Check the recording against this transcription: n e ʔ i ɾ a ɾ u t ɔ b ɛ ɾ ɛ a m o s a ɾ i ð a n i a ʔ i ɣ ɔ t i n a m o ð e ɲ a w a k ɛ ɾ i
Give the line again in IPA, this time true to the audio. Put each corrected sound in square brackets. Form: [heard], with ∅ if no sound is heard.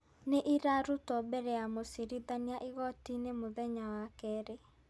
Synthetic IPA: n e ʔ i ɾ a ɾ u t ɔ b ɛ ɾ ɛ a m o s [i] ɾ i ð a n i a ʔ i ɣ ɔ t i n [e] m o ð [ɛ] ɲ a w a k ɛ ɾ [e]